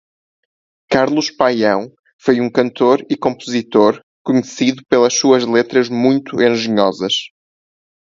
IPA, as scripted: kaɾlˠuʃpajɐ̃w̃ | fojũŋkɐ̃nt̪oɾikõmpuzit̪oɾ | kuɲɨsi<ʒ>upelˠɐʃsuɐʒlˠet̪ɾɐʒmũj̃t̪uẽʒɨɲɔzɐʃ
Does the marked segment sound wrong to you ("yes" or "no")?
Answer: yes